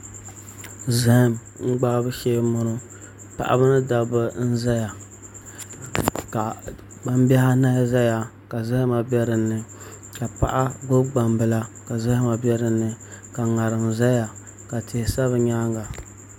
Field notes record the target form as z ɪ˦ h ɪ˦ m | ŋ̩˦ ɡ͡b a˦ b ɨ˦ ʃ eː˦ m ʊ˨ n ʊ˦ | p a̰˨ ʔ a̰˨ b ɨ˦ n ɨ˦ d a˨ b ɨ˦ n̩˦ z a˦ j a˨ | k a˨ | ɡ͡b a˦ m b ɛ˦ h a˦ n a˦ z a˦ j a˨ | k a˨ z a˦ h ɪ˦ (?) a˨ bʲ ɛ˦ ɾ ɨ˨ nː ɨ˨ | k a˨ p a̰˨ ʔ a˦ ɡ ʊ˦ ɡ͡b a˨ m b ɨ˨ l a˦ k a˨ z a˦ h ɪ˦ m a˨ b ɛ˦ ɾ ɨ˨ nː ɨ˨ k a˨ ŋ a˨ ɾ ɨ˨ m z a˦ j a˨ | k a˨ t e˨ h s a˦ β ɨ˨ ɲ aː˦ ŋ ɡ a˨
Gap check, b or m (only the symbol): m